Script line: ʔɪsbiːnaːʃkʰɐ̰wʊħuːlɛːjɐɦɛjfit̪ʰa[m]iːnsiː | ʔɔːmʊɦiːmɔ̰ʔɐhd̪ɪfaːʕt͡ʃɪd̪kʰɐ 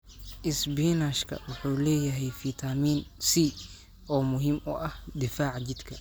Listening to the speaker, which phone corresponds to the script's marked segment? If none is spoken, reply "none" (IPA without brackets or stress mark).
m